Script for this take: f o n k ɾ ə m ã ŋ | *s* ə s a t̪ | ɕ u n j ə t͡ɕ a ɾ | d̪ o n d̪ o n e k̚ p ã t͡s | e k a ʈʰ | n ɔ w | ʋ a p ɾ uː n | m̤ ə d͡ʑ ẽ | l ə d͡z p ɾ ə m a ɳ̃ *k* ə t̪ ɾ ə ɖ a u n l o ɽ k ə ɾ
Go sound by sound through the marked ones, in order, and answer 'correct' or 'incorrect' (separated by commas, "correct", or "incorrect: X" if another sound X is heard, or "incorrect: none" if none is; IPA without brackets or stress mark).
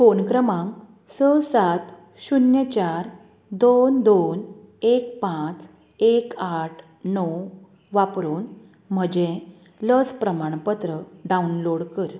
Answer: correct, incorrect: p